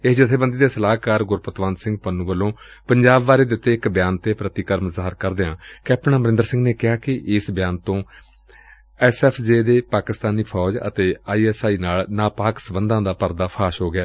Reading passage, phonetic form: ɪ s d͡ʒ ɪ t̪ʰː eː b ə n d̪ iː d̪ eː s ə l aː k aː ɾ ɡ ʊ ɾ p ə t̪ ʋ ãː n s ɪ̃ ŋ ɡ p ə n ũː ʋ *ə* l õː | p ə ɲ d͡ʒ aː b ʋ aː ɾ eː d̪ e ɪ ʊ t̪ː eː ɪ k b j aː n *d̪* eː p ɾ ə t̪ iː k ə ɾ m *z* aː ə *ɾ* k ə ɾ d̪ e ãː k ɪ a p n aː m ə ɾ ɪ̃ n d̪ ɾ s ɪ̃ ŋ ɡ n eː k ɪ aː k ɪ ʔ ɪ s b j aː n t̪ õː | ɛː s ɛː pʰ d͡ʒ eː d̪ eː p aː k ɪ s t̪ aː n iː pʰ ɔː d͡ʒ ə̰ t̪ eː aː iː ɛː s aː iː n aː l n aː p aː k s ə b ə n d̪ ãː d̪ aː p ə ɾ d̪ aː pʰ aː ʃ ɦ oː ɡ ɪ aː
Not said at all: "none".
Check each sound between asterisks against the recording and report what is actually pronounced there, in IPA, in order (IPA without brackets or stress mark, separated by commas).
ə, t̪, z, ɾ